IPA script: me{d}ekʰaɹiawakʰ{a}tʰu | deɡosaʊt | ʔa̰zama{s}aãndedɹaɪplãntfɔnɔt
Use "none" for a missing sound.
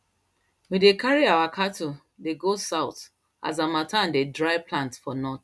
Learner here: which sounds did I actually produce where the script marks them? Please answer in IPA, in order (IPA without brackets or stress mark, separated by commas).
d, a, t